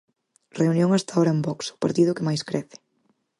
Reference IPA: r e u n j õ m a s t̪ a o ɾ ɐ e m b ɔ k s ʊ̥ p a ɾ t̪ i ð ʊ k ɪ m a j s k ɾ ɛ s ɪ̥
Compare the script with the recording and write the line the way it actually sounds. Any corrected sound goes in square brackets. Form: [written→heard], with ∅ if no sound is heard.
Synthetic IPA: r e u n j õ [m→ŋ] a s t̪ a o ɾ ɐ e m b ɔ k s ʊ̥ p a ɾ t̪ i ð ʊ k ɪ m a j s k ɾ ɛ [s→θ] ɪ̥

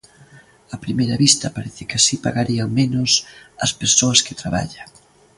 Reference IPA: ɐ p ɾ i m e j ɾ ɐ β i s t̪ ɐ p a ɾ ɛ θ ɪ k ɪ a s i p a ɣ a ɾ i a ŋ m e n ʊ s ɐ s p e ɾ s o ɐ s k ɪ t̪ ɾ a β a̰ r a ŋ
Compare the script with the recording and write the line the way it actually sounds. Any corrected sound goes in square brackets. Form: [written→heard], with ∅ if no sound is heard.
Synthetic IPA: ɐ p ɾ i m e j ɾ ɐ β i s t̪ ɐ p a ɾ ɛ θ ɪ k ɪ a s i p a ɣ a ɾ i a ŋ m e n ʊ s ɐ s p e ɾ s o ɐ s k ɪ t̪ ɾ a β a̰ [r→ʎ] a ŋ

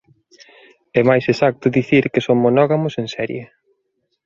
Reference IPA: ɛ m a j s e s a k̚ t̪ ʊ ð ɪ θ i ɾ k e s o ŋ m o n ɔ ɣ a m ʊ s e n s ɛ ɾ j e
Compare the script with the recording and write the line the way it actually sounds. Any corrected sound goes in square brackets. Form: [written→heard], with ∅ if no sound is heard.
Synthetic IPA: ɛ m a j s e s a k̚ t̪ ʊ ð [ɪ→i] θ i ɾ k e s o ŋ m o n ɔ ɣ a m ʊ s e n s ɛ ɾ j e

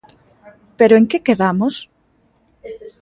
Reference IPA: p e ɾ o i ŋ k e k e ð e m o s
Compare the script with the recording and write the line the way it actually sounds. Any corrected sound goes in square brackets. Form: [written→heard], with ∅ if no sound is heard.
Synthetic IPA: p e ɾ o [i→e] ŋ k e k e ð [e→a] m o s

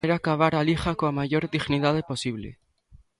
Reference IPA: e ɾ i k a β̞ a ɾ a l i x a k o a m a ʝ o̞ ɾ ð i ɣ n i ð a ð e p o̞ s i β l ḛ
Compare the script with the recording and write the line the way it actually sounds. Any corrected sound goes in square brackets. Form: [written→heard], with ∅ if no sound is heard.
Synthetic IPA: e ɾ [i→a] k a β̞ a ɾ a l i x a k o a m a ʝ o̞ ɾ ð i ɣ n i ð a ð e p o̞ s i β l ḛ

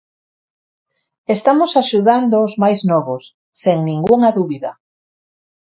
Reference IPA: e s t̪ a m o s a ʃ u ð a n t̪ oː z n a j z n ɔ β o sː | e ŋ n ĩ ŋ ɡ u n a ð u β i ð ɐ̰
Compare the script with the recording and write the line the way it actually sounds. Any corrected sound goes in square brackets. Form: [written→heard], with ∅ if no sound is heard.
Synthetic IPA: e s t̪ a m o s a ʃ u ð a n [t̪→d̪] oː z [n→m] a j z n ɔ β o sː | e ŋ n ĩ ŋ ɡ u [n→ŋ] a ð u β i ð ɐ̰

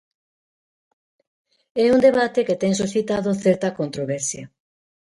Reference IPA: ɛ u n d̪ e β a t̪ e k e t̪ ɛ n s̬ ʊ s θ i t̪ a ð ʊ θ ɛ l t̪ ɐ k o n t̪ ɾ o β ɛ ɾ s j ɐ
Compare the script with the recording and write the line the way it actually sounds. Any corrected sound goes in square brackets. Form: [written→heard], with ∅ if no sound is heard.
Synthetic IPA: ɛ u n d̪ e β a t̪ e k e t̪ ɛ [n→ŋ] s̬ [ʊ→u] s θ i t̪ a ð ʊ θ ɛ [l→ɾ] t̪ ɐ k o n t̪ ɾ o β ɛ ɾ s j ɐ

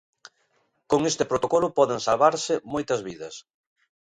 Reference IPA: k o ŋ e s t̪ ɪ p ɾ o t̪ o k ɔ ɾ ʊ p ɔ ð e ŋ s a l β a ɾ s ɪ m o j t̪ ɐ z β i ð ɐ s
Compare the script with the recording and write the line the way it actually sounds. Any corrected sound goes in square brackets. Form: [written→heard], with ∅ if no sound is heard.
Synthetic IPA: k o ŋ e s t̪ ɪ p ɾ o t̪ o k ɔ [ɾ→l] ʊ p ɔ ð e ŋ s a l β a ɾ s ɪ m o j t̪ ɐ z β i ð ɐ s

